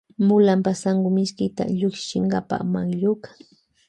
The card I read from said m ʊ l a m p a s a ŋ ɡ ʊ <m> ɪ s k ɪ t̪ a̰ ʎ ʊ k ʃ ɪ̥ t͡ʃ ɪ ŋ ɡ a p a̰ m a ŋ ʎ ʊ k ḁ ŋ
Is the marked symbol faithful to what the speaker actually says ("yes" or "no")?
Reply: yes